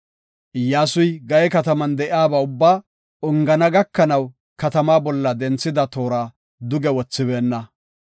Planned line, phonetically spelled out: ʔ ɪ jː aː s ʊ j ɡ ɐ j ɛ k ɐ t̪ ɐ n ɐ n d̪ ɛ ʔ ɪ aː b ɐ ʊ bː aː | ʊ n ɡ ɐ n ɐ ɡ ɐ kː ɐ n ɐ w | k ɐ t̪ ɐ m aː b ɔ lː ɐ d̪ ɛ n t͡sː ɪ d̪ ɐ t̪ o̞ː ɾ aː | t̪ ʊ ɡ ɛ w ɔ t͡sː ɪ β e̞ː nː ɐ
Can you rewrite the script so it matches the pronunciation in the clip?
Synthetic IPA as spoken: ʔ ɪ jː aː s ʊ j ɡ ɐ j ɛ k ɐ t̪ ɐ m ɐ n d̪ ɛ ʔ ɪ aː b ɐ ʊ bː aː | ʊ ŋ ɡ ɐ n ɐ ɡ ɐ kː ɐ n ɐ w | k ɐ t̪ ɐ m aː b ɔ lː ɐ d̪ ɛ n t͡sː ɪ d̪ ɐ t̪ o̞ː ɾ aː | d̪ ʊ ɡ ɛ w ɔ t͡sː ɪ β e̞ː nː ɐ